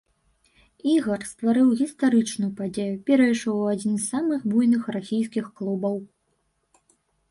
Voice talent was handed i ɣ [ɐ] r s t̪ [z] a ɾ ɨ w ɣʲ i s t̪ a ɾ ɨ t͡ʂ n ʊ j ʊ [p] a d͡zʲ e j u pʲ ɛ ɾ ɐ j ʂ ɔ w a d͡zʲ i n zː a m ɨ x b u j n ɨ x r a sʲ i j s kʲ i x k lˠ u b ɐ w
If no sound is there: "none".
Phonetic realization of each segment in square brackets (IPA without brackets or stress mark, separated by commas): ɐ, v, p